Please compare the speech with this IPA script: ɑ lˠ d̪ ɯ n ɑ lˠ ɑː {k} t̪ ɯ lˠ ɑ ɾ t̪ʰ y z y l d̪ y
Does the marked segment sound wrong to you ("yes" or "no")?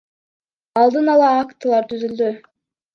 no